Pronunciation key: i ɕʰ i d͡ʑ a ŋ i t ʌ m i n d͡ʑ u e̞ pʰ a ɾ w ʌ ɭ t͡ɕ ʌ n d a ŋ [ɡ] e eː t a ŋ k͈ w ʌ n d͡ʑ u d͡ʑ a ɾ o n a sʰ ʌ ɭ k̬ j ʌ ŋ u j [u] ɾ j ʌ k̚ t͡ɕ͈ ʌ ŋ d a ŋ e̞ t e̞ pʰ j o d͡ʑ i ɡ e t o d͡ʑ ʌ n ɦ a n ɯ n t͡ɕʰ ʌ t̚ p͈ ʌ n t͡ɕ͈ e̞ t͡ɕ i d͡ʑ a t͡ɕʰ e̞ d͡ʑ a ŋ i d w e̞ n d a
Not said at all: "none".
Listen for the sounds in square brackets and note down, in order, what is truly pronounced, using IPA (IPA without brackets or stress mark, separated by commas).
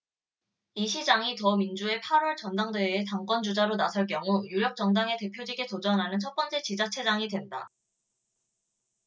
d, u